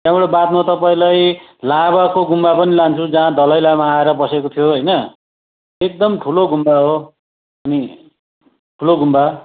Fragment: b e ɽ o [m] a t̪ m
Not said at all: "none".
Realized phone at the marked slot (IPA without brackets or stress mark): b